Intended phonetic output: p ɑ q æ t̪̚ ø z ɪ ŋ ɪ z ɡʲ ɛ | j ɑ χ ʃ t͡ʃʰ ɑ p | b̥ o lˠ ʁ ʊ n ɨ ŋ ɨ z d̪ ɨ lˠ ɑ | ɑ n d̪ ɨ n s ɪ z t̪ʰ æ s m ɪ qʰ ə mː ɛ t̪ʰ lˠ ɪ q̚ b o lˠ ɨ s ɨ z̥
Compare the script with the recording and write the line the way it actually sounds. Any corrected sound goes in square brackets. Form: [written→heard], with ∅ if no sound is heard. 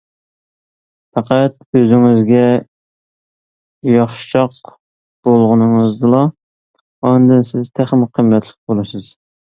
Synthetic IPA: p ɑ q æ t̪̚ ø z ɪ ŋ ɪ z ɡʲ ɛ | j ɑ χ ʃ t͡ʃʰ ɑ [p→q] | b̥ o lˠ ʁ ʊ n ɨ ŋ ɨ z d̪ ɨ lˠ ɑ | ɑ n d̪ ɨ n s ɪ z t̪ʰ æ [s→χ] m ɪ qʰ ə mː ɛ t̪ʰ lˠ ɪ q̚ b o lˠ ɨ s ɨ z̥